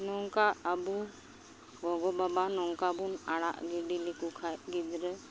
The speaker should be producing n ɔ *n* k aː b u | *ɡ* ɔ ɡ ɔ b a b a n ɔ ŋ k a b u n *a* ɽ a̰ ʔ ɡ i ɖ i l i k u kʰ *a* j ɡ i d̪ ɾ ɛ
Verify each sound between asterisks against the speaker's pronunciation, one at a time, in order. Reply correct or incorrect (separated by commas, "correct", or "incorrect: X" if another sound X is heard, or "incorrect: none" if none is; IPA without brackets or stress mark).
incorrect: ŋ, correct, correct, correct